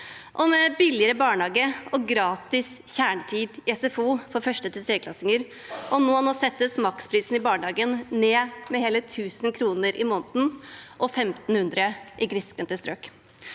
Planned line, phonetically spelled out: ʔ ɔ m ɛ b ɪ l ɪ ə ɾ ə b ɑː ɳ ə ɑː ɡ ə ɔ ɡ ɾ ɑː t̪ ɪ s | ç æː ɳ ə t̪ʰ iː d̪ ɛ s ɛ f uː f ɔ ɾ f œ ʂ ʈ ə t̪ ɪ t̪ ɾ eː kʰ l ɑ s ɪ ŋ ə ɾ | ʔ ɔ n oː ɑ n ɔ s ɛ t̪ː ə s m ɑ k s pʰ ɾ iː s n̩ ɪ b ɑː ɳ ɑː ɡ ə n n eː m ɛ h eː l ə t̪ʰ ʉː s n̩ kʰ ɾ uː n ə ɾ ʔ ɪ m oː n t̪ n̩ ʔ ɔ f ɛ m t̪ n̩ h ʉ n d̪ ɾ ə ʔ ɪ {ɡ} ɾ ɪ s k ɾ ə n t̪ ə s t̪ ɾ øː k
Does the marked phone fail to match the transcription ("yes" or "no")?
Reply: no